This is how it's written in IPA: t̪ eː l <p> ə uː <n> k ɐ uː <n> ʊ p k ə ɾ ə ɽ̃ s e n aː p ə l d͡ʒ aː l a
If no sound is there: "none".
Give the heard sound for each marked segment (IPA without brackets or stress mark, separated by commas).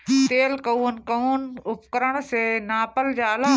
k, n, n